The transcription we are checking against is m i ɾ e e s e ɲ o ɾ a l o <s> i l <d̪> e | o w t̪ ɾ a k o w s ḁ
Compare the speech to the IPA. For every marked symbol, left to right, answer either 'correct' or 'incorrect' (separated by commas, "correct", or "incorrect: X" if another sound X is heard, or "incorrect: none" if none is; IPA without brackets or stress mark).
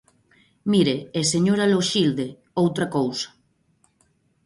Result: incorrect: ʃ, correct